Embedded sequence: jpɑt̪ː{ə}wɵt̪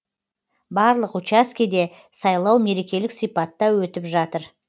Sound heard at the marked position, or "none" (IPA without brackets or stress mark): ɑ